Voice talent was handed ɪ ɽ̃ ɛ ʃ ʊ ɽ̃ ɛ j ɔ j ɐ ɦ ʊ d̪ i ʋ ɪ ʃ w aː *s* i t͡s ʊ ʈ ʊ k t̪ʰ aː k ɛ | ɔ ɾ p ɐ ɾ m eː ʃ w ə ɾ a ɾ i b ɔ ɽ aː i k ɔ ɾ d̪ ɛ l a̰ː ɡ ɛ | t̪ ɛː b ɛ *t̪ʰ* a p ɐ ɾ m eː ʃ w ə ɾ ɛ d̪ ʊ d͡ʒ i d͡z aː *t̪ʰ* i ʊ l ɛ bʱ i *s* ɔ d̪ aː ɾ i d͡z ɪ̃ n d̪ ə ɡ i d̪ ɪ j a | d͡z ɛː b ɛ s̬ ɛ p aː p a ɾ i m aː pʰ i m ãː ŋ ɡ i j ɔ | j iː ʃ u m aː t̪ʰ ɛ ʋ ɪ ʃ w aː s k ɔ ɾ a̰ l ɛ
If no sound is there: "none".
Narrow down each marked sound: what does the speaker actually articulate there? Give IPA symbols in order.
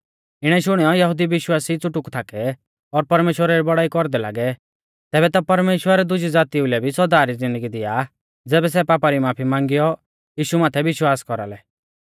s, t̪, t̪, s

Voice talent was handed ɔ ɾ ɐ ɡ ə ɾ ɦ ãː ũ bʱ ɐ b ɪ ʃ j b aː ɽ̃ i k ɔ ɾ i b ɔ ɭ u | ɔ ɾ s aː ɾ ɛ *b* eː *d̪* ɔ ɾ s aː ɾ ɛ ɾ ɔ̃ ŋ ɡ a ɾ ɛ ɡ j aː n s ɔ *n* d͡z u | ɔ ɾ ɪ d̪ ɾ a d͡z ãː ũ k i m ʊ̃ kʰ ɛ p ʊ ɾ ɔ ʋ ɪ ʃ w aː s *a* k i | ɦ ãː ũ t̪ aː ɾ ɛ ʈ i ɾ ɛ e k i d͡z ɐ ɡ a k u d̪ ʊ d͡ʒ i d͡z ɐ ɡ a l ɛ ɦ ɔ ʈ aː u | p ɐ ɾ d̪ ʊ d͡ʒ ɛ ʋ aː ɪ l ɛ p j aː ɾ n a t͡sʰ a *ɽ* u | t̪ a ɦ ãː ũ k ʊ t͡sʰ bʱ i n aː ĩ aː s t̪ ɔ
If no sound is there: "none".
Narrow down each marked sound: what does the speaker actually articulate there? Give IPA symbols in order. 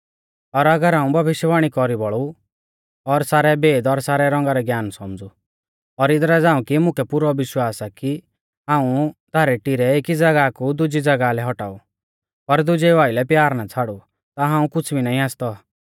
b, d̪, m, a, ɽ

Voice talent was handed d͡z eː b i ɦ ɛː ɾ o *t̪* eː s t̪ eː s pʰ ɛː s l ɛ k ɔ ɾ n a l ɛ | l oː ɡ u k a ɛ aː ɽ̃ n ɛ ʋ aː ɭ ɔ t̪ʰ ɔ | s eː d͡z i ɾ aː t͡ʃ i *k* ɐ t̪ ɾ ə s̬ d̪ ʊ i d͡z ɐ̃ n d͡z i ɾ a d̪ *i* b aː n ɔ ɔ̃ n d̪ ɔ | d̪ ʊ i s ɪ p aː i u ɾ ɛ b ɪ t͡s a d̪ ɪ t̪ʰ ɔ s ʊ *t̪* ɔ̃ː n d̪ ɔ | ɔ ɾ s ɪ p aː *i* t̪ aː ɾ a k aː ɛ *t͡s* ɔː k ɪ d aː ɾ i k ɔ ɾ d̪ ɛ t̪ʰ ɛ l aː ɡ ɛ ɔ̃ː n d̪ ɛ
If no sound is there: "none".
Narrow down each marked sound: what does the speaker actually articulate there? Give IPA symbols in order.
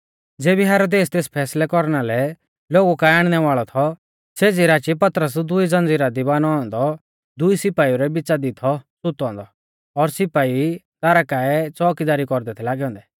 d̪, p, i, t̪, i, t͡s

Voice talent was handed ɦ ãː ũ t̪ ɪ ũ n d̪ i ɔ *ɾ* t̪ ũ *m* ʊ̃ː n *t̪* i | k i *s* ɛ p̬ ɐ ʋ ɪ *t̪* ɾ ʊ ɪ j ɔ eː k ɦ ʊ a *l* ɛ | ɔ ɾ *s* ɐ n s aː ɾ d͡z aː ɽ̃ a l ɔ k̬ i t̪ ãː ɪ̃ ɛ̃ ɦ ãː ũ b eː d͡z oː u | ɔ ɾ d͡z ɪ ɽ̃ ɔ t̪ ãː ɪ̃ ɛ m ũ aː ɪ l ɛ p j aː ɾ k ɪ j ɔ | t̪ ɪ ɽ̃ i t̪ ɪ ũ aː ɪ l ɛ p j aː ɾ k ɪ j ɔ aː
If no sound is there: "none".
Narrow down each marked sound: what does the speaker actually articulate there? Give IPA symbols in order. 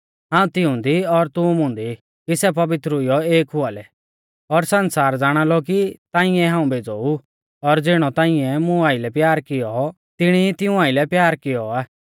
ɾ, m, d̪, s, t̪, l, s

